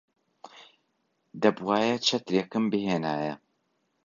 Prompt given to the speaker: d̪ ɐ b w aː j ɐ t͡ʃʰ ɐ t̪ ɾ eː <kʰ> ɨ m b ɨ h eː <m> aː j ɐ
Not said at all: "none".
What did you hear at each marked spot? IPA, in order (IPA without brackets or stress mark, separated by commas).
k, n